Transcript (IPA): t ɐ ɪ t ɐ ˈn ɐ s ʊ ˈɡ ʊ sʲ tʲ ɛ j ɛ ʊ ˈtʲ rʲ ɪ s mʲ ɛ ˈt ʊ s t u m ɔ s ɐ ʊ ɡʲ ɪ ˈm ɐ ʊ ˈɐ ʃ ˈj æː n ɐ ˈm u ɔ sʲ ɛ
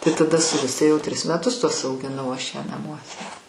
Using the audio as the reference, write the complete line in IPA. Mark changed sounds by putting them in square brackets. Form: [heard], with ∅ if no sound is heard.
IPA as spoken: t ɐ ɪ t ɐ [ˈd] ɐ s ʊ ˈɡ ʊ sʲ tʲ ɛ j ɛ ʊ ˈtʲ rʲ ɪ s mʲ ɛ ˈt ʊ s t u [∅] ɔ s ɐ ʊ ɡʲ ɪ [ˈn] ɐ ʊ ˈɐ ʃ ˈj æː n ɐ ˈm u ɔ sʲ ɛ